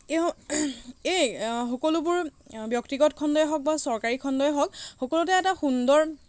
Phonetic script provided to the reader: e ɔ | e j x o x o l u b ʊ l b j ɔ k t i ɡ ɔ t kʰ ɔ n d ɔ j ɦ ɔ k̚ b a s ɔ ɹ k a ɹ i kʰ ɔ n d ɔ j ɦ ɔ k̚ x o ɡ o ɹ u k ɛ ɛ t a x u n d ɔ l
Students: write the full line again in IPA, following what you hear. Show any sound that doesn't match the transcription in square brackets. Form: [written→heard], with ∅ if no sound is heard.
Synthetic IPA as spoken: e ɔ | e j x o [x→k] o l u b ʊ [l→ɹ] b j ɔ k t i ɡ ɔ t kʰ ɔ n d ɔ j ɦ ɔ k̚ b a s ɔ ɹ k a ɹ i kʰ ɔ n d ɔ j ɦ ɔ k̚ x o [ɡ→k] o [ɹ→l] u [k→t] ɛ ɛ t a x u n d ɔ [l→ɹ]